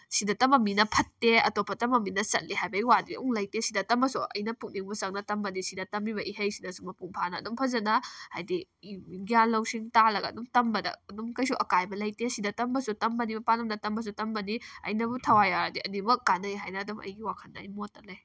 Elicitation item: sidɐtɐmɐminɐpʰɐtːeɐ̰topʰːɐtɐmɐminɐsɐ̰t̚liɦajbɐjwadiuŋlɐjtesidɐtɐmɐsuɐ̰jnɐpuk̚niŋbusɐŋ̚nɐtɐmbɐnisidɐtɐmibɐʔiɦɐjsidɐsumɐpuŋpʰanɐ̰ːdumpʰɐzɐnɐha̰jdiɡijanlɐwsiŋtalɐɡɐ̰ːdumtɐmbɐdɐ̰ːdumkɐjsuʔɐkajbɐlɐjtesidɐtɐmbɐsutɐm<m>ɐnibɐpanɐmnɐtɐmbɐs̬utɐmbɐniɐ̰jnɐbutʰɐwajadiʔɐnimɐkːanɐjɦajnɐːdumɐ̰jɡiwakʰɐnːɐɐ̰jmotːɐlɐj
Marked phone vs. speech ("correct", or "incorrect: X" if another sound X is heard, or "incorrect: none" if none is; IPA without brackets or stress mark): incorrect: b